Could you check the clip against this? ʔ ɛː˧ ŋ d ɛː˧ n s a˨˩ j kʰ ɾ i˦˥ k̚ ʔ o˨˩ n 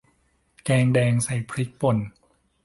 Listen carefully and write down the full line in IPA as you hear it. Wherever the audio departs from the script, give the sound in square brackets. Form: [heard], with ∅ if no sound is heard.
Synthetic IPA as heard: [k] ɛː˧ ŋ d ɛː˧ [ŋ] s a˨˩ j [pʰ] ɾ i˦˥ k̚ [p] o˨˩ n